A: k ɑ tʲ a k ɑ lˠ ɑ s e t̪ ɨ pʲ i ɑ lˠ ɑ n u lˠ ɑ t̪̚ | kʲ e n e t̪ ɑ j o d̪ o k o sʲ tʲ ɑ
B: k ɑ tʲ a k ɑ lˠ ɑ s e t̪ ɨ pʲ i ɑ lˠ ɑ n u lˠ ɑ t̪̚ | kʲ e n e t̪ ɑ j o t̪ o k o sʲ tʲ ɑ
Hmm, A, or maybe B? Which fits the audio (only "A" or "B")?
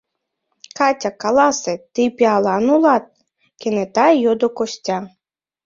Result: A